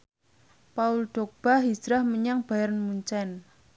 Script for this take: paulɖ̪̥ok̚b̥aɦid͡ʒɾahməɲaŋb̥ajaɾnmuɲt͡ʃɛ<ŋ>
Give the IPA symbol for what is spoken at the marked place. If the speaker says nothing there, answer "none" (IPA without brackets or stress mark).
n